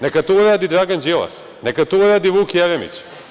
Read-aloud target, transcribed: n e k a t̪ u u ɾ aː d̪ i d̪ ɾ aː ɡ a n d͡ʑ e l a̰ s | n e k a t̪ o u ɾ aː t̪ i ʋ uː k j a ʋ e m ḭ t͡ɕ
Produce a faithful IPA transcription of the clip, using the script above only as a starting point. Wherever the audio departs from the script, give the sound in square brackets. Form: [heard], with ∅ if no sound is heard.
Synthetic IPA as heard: n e k a t̪ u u ɾ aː d̪ i d̪ ɾ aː ɡ a n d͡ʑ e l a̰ s | n e k a t̪ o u ɾ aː [d̪] i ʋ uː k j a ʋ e m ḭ t͡ɕ